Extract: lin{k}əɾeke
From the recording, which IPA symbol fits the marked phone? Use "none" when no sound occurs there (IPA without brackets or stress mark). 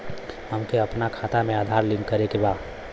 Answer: k